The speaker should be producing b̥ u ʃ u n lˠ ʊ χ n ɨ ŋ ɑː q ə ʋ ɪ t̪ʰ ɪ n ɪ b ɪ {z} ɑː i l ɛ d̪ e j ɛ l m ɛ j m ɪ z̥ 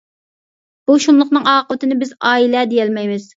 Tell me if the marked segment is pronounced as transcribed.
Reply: yes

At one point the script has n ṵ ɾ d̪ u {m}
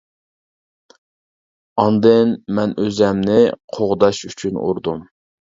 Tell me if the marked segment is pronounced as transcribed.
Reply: yes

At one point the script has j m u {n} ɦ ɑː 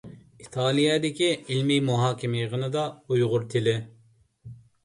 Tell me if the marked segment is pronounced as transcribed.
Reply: no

